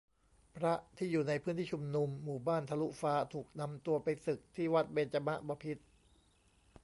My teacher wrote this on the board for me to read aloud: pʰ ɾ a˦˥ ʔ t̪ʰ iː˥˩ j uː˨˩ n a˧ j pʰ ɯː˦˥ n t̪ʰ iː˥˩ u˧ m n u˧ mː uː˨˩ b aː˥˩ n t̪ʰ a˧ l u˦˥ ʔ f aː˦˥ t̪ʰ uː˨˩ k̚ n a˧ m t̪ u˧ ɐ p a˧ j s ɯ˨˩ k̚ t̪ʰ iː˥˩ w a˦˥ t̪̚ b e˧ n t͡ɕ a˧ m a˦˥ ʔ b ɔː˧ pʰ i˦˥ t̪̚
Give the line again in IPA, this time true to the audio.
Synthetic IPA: pʰ ɾ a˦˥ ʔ t̪ʰ iː˥˩ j uː˨˩ n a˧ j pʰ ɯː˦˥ n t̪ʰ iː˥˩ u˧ m n u˧ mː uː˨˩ b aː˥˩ n t̪ʰ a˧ l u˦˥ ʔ f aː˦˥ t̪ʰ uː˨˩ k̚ n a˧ m t̪ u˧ ɐ p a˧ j s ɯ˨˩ k̚ t̪ʰ iː˥˩ w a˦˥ t̪̚ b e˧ n t͡ɕ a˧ m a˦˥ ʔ b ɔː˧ pʰ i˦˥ t̪̚